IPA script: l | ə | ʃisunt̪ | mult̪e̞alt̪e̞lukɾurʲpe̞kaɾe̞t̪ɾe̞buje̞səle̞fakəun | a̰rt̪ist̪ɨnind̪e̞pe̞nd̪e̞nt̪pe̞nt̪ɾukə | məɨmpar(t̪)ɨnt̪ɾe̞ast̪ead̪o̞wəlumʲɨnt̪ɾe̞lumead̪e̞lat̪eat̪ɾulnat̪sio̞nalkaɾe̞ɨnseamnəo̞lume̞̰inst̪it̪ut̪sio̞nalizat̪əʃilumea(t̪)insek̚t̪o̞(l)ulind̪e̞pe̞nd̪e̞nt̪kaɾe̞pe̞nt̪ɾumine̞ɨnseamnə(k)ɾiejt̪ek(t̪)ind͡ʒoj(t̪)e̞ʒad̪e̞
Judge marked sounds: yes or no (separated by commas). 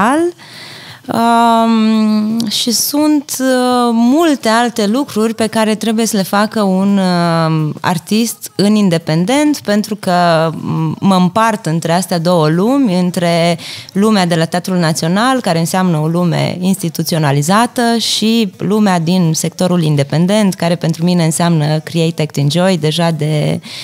yes, no, no, yes, yes, no